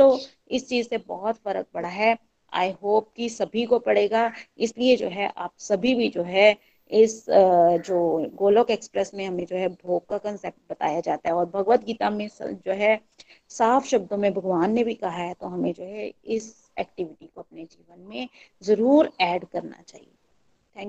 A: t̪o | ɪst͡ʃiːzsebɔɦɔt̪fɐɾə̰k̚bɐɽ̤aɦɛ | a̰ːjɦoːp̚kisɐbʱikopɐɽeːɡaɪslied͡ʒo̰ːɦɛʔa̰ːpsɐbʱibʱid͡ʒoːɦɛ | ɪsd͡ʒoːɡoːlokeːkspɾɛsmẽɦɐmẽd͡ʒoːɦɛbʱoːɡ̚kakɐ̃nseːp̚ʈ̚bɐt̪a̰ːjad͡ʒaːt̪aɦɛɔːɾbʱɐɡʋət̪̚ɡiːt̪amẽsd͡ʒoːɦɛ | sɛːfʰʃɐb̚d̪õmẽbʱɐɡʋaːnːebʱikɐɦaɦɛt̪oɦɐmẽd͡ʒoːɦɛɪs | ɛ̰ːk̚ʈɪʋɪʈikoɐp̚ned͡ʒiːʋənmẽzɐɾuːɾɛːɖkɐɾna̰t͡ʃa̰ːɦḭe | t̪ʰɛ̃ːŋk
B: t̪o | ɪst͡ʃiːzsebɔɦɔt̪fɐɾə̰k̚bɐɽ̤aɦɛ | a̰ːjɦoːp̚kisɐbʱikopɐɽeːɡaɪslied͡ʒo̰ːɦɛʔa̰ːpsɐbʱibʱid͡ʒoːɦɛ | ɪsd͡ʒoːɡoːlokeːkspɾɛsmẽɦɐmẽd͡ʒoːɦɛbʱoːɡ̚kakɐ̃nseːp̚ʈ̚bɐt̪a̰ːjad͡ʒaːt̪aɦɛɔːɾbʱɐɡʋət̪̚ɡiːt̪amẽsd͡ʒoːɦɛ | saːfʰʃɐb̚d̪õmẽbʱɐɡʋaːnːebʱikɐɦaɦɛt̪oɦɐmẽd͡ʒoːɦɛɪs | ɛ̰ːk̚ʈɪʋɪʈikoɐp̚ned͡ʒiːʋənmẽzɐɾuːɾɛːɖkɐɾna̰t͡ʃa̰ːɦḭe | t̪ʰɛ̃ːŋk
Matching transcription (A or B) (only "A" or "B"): B